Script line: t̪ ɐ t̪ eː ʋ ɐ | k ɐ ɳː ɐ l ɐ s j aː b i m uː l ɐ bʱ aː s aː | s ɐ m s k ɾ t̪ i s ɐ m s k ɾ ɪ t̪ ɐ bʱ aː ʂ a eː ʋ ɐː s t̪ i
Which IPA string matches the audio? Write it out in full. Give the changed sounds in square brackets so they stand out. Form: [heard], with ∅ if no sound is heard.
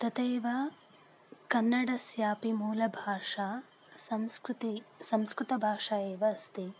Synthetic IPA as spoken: t̪ ɐ t̪ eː ʋ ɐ | k ɐ [nː] ɐ [ɽ] ɐ s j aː [p] i m uː l ɐ bʱ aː [ʂ] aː | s ɐ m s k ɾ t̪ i s ɐ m s k ɾ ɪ t̪ ɐ bʱ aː ʂ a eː ʋ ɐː s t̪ i